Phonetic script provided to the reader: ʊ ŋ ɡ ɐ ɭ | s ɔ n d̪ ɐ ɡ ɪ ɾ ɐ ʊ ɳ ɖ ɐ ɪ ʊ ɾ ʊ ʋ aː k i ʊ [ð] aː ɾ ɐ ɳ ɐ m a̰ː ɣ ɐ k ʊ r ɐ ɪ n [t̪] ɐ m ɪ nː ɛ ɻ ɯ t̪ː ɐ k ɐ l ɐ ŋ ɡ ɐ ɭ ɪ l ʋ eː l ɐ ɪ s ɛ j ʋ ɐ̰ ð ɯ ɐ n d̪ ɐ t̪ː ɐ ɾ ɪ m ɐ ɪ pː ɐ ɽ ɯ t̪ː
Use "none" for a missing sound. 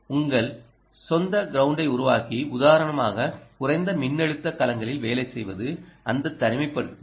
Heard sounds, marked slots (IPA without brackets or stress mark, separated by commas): ð, d̪